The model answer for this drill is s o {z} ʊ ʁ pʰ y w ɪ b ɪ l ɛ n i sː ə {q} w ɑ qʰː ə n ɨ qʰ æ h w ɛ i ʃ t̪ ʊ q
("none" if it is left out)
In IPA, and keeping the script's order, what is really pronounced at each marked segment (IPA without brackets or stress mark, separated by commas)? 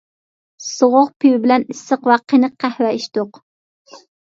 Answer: ʁ, q